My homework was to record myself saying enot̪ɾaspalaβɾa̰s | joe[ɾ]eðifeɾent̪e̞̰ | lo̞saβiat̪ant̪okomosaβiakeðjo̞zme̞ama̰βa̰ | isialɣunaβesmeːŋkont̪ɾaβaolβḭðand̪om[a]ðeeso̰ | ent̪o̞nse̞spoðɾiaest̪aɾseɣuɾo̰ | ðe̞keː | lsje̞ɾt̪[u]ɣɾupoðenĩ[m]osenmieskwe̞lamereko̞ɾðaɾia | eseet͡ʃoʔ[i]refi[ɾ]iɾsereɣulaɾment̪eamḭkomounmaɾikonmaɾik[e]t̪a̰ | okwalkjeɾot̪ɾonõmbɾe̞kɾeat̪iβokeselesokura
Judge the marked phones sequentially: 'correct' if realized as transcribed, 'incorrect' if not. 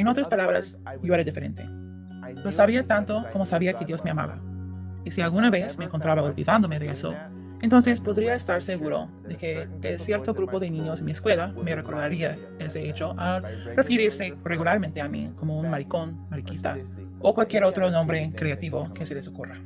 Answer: correct, incorrect: e, incorrect: o, incorrect: ɲ, incorrect: a, correct, incorrect: i

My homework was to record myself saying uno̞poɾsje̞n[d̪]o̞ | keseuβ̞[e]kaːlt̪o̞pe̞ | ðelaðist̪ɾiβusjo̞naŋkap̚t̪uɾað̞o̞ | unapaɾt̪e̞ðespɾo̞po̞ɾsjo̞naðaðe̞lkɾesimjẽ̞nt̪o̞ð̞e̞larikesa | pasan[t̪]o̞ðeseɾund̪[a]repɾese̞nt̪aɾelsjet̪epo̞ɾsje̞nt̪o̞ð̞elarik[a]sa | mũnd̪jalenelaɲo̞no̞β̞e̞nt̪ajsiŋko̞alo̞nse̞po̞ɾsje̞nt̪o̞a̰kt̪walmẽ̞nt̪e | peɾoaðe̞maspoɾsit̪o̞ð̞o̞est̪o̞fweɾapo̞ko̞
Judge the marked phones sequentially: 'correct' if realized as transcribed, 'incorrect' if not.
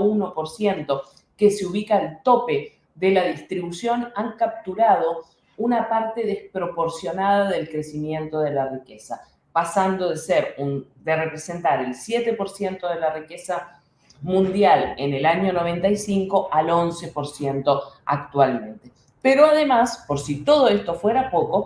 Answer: incorrect: t̪, incorrect: i, incorrect: d̪, incorrect: e, incorrect: e

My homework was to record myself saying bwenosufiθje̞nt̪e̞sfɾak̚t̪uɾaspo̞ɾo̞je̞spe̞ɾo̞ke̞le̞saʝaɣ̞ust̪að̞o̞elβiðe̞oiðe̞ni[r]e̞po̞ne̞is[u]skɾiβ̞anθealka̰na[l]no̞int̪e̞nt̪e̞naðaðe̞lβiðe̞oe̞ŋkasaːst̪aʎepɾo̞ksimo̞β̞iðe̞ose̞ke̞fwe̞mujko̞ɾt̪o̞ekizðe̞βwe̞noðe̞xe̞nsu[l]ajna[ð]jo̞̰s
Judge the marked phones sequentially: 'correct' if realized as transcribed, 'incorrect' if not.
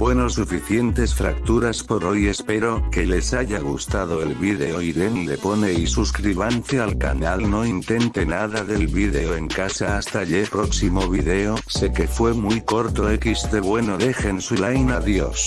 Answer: incorrect: l, correct, correct, correct, correct

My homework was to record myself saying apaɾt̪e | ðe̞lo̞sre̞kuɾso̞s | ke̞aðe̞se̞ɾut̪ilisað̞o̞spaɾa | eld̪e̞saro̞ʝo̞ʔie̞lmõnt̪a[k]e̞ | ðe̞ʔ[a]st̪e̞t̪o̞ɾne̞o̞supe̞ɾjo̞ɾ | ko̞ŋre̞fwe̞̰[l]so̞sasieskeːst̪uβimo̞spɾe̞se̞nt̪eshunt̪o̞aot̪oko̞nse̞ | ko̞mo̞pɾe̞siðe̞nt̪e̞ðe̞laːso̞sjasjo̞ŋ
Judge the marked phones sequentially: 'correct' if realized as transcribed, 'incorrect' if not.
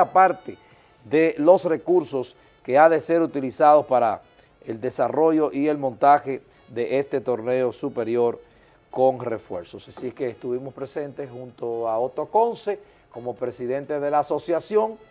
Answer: incorrect: x, incorrect: e, incorrect: ɾ

